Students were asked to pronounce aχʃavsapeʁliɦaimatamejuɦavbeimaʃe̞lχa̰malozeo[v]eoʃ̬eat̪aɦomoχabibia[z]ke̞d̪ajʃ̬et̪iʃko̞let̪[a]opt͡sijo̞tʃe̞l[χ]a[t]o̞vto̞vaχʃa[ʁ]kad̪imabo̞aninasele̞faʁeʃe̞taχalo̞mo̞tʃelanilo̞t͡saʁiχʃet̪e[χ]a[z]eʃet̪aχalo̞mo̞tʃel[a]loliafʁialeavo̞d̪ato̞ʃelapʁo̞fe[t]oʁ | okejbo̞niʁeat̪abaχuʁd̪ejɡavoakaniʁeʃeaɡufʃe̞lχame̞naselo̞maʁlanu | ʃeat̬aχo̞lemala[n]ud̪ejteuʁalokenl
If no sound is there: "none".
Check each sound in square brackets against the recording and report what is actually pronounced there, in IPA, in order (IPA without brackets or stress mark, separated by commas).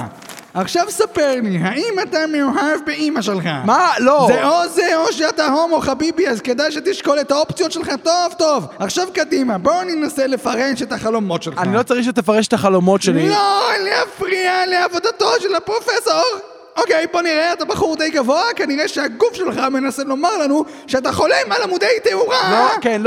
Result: z, z, a, χ, t, v, f, ʁ, i, s, m